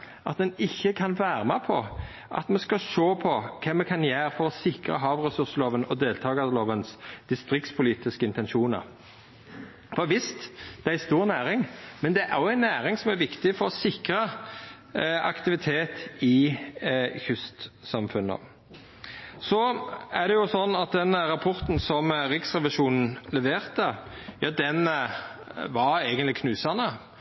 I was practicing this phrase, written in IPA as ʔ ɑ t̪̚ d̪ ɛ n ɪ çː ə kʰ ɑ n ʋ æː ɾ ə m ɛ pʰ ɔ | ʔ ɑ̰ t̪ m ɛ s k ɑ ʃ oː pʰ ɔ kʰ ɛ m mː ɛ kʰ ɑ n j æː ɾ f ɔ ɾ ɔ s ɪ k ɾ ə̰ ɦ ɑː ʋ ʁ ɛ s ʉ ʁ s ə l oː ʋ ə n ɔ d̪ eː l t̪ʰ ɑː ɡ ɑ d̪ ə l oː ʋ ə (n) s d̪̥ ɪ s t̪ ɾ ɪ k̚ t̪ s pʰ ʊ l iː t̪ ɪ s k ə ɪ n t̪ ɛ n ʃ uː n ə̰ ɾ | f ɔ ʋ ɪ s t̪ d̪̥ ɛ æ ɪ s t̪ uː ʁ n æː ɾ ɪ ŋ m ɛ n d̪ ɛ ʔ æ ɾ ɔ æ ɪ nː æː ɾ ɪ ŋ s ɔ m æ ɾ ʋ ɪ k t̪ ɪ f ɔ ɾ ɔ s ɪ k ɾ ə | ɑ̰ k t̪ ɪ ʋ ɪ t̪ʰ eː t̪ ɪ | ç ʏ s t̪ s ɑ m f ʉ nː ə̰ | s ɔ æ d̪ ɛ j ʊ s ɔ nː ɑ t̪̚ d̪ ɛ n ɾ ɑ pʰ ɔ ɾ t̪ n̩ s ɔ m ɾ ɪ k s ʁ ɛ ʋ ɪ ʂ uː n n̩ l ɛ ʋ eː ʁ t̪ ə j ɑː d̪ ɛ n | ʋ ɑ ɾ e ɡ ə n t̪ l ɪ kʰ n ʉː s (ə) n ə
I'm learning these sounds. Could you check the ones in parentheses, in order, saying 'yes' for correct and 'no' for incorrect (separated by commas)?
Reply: yes, no